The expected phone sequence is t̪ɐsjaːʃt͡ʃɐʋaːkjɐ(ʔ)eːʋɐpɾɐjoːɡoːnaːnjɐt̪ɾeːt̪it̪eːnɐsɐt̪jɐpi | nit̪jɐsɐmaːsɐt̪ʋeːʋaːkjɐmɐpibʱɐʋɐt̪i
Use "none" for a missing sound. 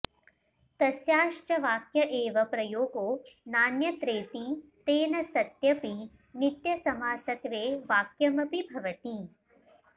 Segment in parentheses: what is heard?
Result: ʔ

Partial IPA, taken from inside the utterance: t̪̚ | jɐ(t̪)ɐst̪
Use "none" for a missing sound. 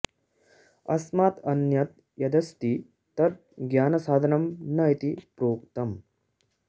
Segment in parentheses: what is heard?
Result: d̪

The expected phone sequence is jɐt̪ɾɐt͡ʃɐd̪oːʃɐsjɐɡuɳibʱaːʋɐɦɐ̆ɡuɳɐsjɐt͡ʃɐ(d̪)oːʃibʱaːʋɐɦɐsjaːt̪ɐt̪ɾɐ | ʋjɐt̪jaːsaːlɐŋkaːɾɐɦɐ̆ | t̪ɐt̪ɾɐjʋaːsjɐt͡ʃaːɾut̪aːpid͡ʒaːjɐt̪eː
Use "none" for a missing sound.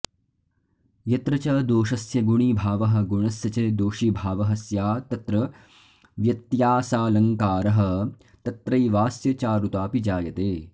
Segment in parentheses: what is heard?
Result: d̪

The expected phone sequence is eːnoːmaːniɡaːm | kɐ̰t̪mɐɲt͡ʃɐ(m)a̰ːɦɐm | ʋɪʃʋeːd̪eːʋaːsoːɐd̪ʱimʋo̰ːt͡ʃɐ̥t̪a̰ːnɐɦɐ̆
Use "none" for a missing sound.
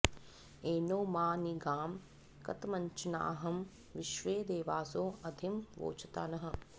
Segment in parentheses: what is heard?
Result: n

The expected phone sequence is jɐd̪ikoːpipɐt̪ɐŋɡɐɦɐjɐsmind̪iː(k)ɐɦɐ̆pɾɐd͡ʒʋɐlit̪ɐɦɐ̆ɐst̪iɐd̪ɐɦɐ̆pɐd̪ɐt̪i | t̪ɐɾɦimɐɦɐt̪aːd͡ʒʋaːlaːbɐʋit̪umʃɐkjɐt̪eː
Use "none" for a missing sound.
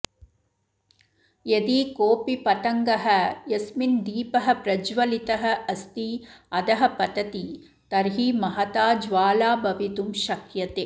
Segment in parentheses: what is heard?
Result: p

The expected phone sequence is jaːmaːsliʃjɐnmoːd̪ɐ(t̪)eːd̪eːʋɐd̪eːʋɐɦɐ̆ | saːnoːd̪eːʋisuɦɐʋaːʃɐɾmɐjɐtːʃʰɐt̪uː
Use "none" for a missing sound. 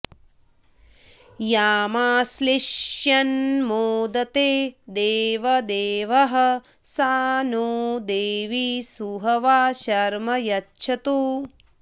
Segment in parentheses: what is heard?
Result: t̪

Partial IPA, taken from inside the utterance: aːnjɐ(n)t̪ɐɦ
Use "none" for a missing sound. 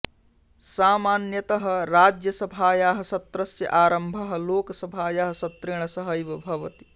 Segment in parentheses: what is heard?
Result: none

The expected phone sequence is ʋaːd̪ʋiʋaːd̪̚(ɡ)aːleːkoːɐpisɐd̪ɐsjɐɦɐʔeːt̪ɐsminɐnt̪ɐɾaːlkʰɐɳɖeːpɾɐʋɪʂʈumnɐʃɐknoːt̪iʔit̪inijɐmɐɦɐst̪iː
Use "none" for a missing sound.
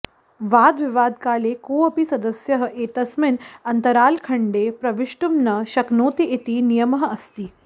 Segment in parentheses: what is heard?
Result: k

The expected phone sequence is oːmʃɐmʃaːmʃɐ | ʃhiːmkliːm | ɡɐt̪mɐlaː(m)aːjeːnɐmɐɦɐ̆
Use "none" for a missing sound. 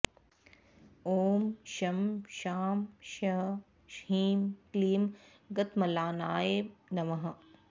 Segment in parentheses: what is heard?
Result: n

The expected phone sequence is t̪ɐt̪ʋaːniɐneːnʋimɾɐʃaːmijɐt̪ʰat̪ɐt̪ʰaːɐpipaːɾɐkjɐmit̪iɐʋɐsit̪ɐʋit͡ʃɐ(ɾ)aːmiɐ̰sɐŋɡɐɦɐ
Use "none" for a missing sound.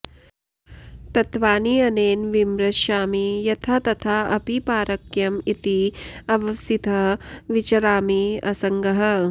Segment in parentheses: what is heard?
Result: ɾ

